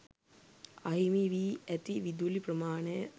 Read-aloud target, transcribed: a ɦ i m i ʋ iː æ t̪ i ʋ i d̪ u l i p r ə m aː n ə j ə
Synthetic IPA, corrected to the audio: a ɦ i m i ʋ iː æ t̪ i ʋ i d̪ u l i p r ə m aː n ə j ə